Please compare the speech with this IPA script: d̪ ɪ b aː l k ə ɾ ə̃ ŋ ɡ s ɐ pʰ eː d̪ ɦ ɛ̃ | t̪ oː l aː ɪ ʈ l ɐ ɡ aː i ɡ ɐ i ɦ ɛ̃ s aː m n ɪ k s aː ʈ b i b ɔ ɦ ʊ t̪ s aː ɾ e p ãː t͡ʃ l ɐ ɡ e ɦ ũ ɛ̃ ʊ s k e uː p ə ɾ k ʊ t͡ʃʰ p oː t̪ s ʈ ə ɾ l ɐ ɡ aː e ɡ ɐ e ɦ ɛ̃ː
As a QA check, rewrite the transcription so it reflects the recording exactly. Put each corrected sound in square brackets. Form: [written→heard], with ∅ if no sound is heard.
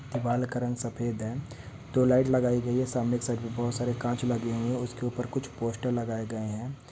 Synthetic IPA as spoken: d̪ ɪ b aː l k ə ɾ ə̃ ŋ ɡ s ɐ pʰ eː d̪ ɦ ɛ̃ | t̪ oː l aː ɪ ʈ l ɐ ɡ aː i ɡ ɐ i ɦ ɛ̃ s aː m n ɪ k s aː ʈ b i b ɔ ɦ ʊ t̪ s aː ɾ e [p→k] ãː t͡ʃ l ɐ ɡ e ɦ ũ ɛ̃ ʊ s k e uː p ə ɾ k ʊ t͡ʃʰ p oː [t̪→∅] s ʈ ə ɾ l ɐ ɡ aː e ɡ ɐ e ɦ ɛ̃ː

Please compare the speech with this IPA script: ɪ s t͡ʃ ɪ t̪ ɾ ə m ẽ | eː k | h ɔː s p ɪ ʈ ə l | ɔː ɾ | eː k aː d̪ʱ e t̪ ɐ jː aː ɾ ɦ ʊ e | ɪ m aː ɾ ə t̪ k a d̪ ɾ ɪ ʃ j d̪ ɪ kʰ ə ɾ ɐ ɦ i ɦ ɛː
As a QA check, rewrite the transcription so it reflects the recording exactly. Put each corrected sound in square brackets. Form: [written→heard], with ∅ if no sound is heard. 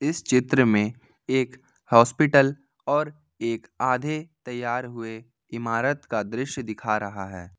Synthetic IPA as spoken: ɪ s t͡ʃ ɪ t̪ ɾ ə m ẽ | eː k | h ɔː s p ɪ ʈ ə l | ɔː ɾ | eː k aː d̪ʱ e t̪ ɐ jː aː ɾ ɦ ʊ e | ɪ m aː ɾ ə t̪ k a d̪ ɾ ɪ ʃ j d̪ ɪ kʰ [ə→a] ɾ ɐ ɦ [i→a] ɦ ɛː

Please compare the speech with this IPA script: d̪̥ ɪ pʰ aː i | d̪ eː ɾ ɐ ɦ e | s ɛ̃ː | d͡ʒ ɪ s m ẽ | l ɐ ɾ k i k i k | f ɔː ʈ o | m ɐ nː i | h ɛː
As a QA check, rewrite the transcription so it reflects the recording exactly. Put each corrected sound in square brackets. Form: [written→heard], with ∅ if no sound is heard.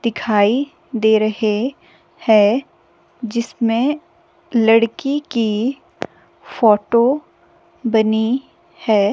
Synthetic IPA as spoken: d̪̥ ɪ [pʰ→kʰ] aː i | d̪ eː ɾ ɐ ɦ e | [s→h] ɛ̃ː | d͡ʒ ɪ s m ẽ | l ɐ [ɾ→ɽ] k i k i [k→∅] | f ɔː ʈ o | [m→b] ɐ [nː→n] i | h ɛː

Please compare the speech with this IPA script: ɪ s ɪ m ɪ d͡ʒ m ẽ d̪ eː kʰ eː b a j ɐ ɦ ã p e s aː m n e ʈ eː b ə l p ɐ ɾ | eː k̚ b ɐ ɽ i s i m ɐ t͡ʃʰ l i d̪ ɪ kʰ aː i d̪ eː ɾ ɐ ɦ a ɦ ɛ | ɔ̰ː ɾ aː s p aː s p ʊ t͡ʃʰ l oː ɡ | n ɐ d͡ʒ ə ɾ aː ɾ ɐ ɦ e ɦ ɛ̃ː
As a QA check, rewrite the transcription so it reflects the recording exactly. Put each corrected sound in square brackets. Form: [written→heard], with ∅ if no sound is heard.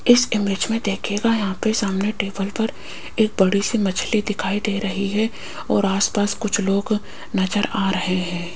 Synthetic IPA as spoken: ɪ s ɪ m ɪ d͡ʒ m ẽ d̪ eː kʰ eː [b→ɡ] a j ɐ ɦ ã p e s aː m n e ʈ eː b ə l p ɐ ɾ | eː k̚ b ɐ ɽ i s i m ɐ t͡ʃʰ l i d̪ ɪ kʰ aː i d̪ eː ɾ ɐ ɦ [a→i] ɦ ɛ | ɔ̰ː ɾ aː s p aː s [p→k] ʊ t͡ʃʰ l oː ɡ | n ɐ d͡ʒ ə ɾ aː ɾ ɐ ɦ e ɦ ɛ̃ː

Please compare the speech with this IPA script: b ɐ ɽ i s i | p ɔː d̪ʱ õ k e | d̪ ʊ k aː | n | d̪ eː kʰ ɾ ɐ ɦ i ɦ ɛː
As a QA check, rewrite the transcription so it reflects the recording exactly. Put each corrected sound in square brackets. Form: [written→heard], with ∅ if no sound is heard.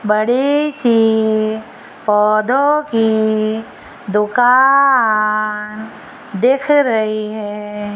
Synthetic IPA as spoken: b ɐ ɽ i s i | p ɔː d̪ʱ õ k [e→i] | d̪ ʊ k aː | n | d̪ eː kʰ ɾ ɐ ɦ i ɦ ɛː

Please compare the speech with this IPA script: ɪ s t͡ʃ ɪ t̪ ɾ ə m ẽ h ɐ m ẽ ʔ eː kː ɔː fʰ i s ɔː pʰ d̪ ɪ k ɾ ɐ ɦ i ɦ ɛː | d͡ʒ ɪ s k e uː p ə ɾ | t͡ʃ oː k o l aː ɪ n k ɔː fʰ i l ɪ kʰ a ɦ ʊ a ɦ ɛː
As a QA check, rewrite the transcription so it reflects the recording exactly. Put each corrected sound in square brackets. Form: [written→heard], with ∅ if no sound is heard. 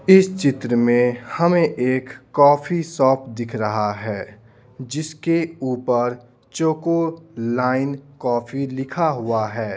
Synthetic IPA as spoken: ɪ s t͡ʃ ɪ t̪ ɾ ə m ẽ h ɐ m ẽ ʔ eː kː ɔː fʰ i s ɔː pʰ d̪ ɪ [k→kʰ] ɾ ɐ ɦ [i→a] ɦ ɛː | d͡ʒ ɪ s k e uː p ə ɾ | t͡ʃ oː k o l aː ɪ n k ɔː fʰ i l ɪ kʰ a ɦ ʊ a ɦ ɛː

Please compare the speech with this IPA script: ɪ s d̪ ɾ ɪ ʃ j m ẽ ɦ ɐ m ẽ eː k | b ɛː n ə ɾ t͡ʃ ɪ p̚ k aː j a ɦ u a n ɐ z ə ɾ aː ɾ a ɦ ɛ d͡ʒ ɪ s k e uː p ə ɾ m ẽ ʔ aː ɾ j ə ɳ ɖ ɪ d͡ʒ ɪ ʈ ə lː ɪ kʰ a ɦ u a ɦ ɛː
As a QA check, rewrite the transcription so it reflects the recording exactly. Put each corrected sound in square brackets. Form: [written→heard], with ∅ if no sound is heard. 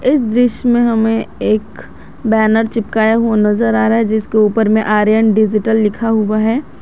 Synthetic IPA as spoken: ɪ s d̪ ɾ ɪ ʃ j m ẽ ɦ ɐ m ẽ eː k | b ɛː n ə ɾ t͡ʃ ɪ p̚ k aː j a ɦ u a n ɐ z ə ɾ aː ɾ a ɦ ɛ d͡ʒ ɪ s k e uː p ə ɾ m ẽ ʔ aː ɾ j ə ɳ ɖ ɪ d͡ʒ ɪ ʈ ə lː ɪ kʰ a ɦ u a ɦ ɛː

